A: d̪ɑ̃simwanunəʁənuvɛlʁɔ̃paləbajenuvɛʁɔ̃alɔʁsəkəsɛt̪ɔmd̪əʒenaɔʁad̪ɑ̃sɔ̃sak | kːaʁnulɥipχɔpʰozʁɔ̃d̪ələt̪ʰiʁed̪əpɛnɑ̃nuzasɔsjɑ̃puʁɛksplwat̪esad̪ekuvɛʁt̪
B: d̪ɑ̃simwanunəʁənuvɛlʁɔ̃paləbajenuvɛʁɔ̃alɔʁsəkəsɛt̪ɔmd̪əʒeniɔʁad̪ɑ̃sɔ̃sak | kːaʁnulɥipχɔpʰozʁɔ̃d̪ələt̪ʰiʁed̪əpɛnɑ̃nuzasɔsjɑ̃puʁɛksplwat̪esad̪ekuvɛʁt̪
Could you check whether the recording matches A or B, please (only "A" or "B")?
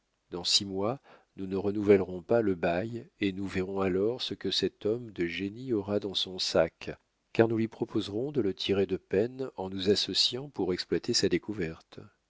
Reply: B